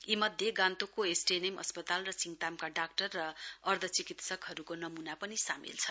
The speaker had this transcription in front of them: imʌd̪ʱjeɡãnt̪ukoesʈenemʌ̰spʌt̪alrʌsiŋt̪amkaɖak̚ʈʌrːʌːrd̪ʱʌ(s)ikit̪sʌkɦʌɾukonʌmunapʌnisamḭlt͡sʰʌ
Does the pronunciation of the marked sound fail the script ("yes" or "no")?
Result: yes